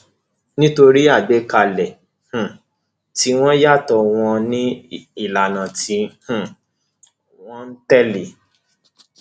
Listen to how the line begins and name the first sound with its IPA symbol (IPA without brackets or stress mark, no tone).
n